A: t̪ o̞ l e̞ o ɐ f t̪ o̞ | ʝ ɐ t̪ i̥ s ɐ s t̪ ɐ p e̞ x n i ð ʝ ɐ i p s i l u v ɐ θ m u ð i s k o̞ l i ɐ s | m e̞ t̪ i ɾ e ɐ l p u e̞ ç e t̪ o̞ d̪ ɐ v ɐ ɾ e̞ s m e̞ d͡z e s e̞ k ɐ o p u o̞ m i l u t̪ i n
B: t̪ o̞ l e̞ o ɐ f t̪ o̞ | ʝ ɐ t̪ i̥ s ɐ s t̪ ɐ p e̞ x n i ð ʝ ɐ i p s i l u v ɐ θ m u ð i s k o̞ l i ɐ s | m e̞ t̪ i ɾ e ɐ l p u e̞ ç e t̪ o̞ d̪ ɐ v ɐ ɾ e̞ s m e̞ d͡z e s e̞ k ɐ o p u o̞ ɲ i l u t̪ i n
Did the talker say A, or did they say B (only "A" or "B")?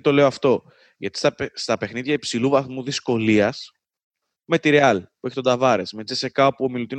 A